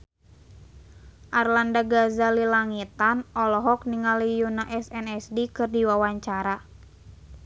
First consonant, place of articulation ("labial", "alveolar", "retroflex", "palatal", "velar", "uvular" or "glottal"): glottal